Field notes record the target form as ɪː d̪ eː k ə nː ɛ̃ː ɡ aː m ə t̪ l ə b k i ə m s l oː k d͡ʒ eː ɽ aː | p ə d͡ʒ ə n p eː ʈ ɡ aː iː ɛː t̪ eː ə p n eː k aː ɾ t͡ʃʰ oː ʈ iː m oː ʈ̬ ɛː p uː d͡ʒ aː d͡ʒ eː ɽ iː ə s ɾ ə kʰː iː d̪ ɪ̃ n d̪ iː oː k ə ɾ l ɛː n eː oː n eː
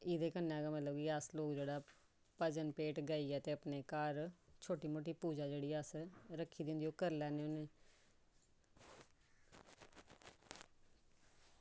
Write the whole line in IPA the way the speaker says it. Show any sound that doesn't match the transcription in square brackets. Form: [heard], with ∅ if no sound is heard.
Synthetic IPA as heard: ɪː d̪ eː k ə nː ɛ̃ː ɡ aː m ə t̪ l ə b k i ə [∅] s l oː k d͡ʒ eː ɽ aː | p ə d͡ʒ ə n p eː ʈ ɡ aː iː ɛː t̪ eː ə p n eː k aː ɾ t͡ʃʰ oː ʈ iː m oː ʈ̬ [iː] p uː d͡ʒ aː d͡ʒ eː ɽ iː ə s ɾ ə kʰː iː d̪ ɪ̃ n d̪ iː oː k ə ɾ l ɛː n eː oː n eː